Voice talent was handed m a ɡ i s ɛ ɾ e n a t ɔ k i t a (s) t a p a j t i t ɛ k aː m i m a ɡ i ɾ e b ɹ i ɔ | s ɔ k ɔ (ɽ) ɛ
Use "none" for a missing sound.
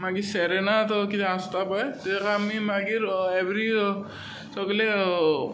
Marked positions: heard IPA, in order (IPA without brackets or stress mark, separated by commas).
s, l